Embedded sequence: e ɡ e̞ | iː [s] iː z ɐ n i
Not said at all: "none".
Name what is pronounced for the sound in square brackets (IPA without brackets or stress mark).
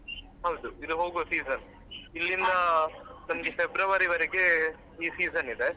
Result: s